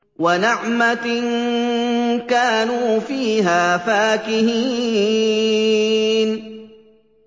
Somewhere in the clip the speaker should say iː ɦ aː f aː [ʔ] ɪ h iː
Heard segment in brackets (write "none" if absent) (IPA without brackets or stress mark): k